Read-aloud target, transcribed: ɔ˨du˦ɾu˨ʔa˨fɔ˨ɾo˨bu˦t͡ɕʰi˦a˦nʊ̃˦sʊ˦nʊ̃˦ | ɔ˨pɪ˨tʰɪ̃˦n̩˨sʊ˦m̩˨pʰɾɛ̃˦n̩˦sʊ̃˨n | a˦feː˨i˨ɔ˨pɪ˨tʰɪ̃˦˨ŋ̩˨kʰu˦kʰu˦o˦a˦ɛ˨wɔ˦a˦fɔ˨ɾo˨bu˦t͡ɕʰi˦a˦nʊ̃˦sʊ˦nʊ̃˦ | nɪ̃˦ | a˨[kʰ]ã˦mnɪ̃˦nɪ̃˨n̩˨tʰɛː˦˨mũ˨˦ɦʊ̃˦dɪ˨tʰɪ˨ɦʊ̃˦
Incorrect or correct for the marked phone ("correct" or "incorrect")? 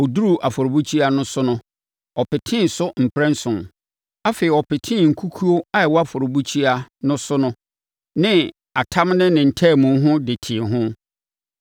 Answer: incorrect